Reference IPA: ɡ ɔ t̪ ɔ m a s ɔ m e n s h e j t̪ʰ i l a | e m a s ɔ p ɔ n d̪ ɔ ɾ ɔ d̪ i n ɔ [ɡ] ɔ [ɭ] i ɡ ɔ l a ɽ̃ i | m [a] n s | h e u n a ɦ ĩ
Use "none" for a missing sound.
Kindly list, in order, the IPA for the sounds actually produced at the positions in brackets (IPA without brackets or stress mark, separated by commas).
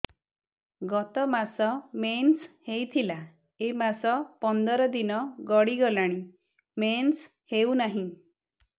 ɡ, ɽ, e